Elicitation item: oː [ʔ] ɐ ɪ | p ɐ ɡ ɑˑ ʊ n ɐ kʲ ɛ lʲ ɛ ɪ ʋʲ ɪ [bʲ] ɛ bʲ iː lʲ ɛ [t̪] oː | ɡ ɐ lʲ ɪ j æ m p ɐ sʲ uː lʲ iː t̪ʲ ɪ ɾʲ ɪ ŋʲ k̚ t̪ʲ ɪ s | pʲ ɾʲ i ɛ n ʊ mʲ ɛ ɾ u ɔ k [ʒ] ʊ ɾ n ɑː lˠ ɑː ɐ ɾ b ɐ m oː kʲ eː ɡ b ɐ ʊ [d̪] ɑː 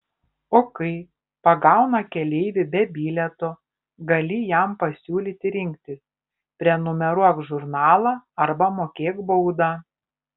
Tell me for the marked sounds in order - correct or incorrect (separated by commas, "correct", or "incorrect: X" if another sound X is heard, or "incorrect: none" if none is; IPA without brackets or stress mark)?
incorrect: k, correct, correct, correct, correct